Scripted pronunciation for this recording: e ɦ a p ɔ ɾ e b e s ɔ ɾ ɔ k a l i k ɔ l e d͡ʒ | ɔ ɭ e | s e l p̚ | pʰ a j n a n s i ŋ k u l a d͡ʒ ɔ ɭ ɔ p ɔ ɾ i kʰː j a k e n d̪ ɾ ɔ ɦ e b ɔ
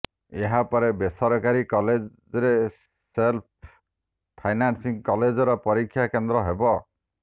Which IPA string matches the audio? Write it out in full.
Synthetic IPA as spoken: e ɦ a p ɔ ɾ e b e s ɔ ɾ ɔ k a ɾ i k ɔ l e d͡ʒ | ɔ ɾ e | s e l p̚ | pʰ a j n a n s i ŋ k ɔ l e d͡ʒ ɔ ɾ ɔ p ɔ ɾ i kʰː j a k e n d̪ ɾ ɔ ɦ e b ɔ

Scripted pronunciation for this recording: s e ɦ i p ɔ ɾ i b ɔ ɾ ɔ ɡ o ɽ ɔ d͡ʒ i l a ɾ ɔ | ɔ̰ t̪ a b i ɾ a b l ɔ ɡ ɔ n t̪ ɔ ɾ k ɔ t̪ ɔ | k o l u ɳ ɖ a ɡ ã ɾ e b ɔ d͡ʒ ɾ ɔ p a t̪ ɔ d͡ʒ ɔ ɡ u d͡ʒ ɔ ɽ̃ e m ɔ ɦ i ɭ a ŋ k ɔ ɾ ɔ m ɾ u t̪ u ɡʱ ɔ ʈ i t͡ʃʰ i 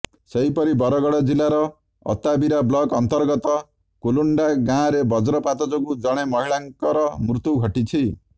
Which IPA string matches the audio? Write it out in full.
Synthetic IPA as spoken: s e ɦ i p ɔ ɾ i b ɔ ɾ ɔ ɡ ɔ ɽ ɔ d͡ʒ i l a ɾ ɔ | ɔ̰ t̪ a b i ɾ a b l ɔ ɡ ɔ n t̪ ɔ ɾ ɡ ɔ t̪ ɔ | k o l u ɳ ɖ a ɡ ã ɾ e b ɔ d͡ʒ ɾ ɔ p a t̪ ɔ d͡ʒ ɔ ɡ u d͡ʒ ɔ ɽ̃ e m ɔ ɦ i ɭ a ŋ k ɔ ɾ ɔ m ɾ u t̪ u ɡʱ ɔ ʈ i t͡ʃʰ i

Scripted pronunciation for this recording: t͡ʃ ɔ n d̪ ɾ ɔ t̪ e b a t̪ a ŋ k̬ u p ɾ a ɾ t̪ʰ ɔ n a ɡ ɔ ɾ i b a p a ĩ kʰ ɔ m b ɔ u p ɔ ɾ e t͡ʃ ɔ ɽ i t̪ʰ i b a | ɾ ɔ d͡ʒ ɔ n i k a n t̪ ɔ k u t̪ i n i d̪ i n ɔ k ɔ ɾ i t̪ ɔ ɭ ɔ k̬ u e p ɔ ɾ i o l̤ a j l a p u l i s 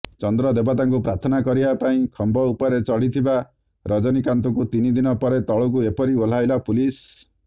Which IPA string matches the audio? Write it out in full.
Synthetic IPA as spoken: t͡ʃ ɔ n d̪ ɾ ɔ d̪ e b a t̪ a ŋ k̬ u p ɾ a ɾ t̪ʰ ɔ n a k ɔ ɾ i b a p a ĩ kʰ ɔ m b ɔ u p ɔ ɾ e t͡ʃ ɔ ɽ i t̪ʰ i b a | ɾ ɔ d͡ʒ ɔ n i k a n t̪ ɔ k u t̪ i n i d̪ i n ɔ p ɔ ɾ e t̪ ɔ ɭ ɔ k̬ u e p ɔ ɾ i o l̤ a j l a p u l i s

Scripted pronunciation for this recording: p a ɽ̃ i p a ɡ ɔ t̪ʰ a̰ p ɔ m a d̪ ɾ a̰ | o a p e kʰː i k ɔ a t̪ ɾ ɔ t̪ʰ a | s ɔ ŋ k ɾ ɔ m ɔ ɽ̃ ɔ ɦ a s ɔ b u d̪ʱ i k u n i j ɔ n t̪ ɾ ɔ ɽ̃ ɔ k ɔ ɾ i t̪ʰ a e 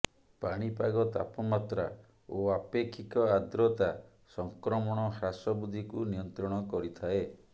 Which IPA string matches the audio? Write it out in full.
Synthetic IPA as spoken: p a ɽ̃ i p a ɡ ɔ t̪ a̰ p ɔ m a t̪ ɾ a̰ | o a p e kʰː i k ɔ a d̪ ɾ ɔ t̪ a | s ɔ ŋ k ɾ ɔ m ɔ ɽ̃ ɔ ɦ a s ɔ b u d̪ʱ i k u n i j ɔ n t̪ ɾ ɔ ɽ̃ ɔ k ɔ ɾ i t̪ʰ a e

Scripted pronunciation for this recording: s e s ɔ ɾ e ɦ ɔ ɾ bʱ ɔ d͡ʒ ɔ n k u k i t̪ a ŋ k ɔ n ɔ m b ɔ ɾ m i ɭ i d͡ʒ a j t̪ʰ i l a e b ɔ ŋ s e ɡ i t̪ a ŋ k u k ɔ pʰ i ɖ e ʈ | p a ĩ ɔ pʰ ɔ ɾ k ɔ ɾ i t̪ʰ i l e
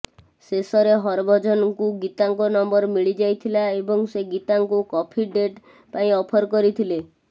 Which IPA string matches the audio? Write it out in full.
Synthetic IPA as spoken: s e s ɔ ɾ e ɦ ɔ ɾ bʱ ɔ d͡ʒ ɔ n k u ɡ i t̪ a ŋ k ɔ n ɔ m b ɔ ɾ m i ɭ i d͡ʒ a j t̪ʰ i l a e b ɔ ŋ s e ɡ i t̪ a ŋ k u k ɔ pʰ i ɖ e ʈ | p a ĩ ɔ pʰ ɔ ɾ k ɔ ɾ i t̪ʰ i l e

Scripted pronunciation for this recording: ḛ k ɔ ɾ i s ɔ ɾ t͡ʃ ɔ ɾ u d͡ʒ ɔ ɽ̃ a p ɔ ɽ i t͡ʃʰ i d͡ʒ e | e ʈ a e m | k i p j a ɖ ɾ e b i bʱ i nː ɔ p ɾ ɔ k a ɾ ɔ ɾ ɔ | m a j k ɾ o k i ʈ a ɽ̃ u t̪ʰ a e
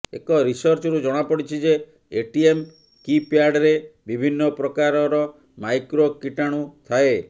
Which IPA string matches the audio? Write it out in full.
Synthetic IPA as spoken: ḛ k ɔ ɾ i s ɔ ɾ t͡ʃ ɔ ɾ u d͡ʒ ɔ ɽ̃ a p ɔ ɽ i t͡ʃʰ i d͡ʒ e | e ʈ i e m | k i p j a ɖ ɾ e b i bʱ i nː ɔ p ɾ ɔ k a ɾ ɔ ɾ ɔ | m a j k ɾ o k i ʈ a ɽ̃ u t̪ʰ a e

